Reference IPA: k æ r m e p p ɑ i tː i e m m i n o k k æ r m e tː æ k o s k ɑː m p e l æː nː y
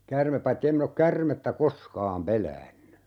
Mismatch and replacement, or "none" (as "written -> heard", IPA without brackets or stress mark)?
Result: none